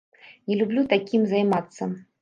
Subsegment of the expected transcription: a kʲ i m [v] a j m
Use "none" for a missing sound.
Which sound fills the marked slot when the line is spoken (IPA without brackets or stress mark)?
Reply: z